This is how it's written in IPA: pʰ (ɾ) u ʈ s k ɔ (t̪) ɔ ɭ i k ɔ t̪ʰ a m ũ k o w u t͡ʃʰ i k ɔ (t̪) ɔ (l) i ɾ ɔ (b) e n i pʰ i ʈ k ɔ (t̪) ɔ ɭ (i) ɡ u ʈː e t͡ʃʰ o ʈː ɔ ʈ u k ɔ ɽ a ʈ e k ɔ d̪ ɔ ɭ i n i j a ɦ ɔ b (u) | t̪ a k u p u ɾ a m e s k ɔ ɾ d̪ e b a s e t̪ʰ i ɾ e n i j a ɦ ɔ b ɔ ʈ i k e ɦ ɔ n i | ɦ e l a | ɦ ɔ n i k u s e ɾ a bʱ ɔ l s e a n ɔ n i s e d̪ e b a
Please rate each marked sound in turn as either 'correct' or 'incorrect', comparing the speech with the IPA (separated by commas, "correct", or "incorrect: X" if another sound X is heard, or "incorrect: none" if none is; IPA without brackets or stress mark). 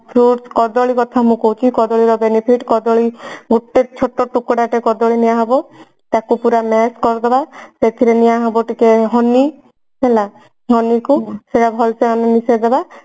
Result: correct, incorrect: d̪, incorrect: d̪, incorrect: ɭ, correct, incorrect: d̪, correct, incorrect: ɔ